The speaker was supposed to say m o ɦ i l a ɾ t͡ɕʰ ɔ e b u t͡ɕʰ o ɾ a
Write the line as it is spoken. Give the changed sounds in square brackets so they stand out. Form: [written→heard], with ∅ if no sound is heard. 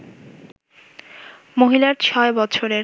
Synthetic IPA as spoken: m o ɦ i l a ɾ t͡ɕʰ ɔ e b [u→ɔ] t͡ɕʰ o ɾ [a→e]